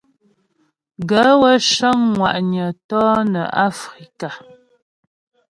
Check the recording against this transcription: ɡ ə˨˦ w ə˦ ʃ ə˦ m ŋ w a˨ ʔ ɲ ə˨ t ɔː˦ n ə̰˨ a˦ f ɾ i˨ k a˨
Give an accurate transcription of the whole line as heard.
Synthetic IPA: ɡ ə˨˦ w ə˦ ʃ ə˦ ŋ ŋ w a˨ ʔ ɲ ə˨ t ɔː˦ n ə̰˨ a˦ f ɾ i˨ k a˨